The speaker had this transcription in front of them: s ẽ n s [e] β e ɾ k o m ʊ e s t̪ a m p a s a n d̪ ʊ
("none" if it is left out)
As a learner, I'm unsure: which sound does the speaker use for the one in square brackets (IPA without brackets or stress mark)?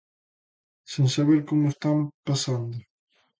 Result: a